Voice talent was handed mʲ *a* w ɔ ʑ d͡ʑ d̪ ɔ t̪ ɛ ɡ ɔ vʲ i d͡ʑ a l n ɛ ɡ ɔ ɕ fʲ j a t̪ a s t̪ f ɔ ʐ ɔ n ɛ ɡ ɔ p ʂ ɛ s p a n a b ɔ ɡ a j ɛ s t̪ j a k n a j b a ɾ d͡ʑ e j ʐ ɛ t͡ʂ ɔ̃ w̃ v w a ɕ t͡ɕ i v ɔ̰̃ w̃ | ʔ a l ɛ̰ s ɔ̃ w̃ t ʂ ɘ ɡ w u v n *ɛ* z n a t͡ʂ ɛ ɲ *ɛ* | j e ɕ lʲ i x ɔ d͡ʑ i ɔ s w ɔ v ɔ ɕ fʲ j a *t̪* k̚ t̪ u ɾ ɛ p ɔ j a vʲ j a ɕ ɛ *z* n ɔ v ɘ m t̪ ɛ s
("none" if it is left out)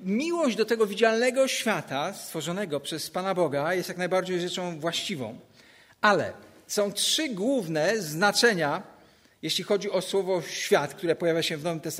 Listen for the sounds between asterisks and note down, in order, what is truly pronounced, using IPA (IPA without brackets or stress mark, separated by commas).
i, ɛ, a, t̪, v